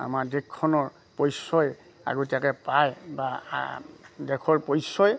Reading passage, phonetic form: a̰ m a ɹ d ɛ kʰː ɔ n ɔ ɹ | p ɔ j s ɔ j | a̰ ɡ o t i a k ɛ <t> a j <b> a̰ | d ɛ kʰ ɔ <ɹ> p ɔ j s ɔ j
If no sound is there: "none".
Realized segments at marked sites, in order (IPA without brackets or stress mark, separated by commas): p, b, ɹ